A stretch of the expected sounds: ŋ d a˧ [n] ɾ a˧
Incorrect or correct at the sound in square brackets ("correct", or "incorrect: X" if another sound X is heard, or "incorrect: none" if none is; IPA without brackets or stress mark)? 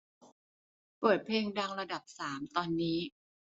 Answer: incorrect: ŋ